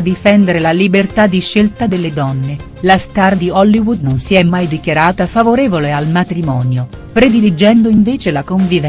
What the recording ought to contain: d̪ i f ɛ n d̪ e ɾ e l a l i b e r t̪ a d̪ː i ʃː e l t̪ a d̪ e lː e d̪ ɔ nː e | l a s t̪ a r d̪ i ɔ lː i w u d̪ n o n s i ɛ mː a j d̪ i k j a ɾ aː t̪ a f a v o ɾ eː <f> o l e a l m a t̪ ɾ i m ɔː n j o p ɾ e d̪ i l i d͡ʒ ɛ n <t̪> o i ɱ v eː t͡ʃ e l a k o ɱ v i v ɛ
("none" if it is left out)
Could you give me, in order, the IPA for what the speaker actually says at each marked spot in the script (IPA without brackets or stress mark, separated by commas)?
v, d̪